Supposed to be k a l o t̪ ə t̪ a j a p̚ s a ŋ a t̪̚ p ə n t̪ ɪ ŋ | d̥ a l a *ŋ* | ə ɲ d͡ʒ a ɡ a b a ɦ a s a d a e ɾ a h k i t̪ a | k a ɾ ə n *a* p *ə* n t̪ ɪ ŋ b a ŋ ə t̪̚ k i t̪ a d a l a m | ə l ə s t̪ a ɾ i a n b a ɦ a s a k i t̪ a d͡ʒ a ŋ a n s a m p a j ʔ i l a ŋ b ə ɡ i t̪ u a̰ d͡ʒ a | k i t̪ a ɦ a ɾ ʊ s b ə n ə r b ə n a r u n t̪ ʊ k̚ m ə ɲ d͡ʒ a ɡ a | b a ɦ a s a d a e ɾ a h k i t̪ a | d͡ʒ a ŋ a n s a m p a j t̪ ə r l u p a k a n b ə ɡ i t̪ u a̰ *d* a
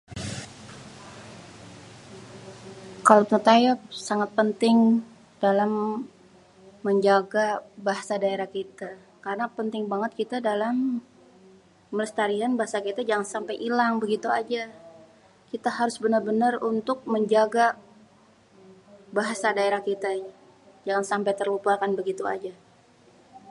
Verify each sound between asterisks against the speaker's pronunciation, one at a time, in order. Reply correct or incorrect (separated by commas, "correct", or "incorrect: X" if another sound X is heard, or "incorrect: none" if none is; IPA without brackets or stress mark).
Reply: incorrect: m, correct, correct, incorrect: d͡ʒ